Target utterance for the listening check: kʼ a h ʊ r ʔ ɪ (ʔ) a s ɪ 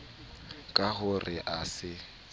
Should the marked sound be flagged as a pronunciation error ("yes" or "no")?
no